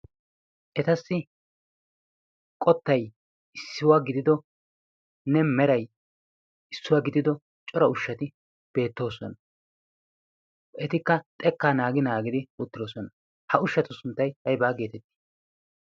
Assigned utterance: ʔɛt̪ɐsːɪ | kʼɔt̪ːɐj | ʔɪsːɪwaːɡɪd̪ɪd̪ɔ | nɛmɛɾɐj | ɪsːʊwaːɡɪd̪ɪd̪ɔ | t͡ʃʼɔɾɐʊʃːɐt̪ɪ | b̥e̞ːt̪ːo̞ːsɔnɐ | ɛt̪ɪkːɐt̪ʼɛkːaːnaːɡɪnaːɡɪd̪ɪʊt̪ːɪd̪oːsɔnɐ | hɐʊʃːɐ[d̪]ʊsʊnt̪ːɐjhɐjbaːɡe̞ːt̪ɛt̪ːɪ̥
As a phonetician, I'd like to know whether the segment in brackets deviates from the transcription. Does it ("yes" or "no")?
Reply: yes